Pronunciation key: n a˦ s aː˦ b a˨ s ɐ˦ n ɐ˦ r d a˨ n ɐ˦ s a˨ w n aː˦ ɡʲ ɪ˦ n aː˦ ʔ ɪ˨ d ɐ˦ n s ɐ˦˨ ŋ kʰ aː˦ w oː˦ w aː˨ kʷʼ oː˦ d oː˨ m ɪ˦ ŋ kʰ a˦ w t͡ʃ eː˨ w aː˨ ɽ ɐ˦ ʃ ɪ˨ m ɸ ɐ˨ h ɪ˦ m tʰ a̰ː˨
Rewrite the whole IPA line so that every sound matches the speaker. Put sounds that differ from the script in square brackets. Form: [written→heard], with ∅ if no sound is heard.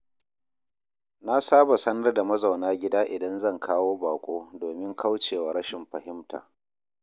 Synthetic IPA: n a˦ s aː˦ b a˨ s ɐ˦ n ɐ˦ r d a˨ [n→m] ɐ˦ [s→z] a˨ w n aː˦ ɡʲ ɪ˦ [n→d] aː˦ ʔ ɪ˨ d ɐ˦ n [s→z] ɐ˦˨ ŋ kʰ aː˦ w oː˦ [w→b] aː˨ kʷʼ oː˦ d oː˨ m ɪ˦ ŋ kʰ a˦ w t͡ʃ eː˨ w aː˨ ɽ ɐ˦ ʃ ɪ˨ m ɸ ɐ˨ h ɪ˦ m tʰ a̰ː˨